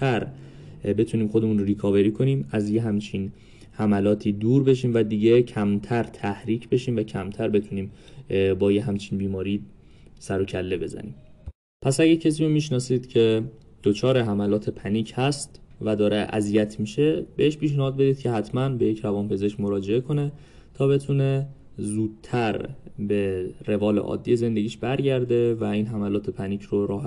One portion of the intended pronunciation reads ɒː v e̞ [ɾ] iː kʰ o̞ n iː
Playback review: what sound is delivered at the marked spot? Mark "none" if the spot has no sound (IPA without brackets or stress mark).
ɾ